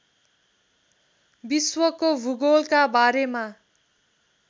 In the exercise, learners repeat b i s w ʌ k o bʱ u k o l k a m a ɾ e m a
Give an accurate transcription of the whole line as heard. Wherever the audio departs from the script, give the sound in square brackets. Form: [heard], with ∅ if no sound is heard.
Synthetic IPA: b i s w ʌ k o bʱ u [ɡ] o l k a [b] a ɾ e m a